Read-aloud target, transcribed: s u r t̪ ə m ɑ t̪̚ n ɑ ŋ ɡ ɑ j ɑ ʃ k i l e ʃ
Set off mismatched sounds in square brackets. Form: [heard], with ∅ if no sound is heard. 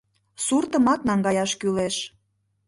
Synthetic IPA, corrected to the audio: s u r t̪ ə m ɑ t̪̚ n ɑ ŋ ɡ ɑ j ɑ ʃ k [y] l e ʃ